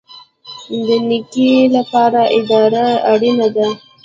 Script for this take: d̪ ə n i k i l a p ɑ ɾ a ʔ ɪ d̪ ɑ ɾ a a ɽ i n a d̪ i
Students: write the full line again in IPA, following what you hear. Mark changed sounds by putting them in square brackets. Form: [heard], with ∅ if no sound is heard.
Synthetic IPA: d̪ ə n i k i l a p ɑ ɾ a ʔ ɪ d̪ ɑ ɾ a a ɽ i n a d̪ [a]

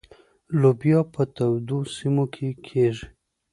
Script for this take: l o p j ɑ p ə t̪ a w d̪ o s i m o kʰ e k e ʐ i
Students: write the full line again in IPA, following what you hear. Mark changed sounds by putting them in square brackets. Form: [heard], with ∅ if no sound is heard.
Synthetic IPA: l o [b] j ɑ p ə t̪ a w d̪ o s i m o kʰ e [kʰ] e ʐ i

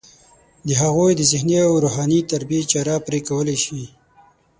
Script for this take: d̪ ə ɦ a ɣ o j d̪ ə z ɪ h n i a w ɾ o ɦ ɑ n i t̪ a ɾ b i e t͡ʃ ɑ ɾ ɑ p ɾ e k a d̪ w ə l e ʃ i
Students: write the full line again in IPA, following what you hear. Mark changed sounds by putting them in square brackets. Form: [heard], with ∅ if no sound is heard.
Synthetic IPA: d̪ ə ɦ a ɣ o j d̪ ə z ɪ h n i a w ɾ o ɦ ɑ n i t̪ a ɾ b i e t͡ʃ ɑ ɾ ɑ p ɾ e k a [∅] w ə l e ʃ i

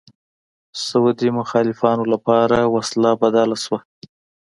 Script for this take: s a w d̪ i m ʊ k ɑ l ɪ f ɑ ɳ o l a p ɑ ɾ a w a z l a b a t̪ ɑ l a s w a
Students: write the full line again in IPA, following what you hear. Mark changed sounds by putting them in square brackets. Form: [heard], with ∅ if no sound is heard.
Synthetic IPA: s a w d̪ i m ʊ [x] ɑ l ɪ f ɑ [n] o l a p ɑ ɾ a w a [s] l a b a [d̪] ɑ l a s w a

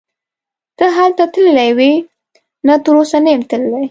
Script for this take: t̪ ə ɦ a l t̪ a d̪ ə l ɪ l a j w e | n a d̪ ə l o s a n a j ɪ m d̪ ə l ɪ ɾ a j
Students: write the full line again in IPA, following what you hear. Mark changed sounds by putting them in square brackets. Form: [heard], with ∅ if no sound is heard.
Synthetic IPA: t̪ ə ɦ a l t̪ a [t̪] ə l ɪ l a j w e | n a [t̪] ə [ɾ] o s a n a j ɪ m [t̪] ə l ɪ [l] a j

